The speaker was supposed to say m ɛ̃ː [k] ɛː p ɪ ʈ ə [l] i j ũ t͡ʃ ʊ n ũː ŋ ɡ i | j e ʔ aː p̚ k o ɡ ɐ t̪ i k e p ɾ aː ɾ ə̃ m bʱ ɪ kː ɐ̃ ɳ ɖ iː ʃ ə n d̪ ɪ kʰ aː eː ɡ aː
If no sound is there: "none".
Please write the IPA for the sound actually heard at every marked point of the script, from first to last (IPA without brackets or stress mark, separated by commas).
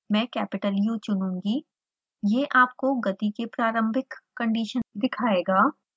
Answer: k, l